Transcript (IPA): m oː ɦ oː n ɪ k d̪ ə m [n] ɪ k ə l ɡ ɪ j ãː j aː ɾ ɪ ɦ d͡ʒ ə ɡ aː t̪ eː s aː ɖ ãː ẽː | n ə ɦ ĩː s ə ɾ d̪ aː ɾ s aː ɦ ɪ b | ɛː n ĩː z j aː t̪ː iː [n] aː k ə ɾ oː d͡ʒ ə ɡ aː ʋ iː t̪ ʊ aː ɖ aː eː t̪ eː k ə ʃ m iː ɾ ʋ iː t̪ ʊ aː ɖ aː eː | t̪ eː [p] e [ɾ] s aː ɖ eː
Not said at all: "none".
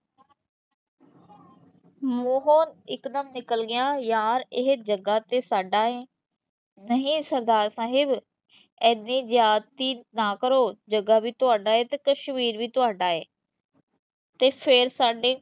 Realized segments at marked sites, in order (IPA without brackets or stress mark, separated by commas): n, n, pʰ, ɾ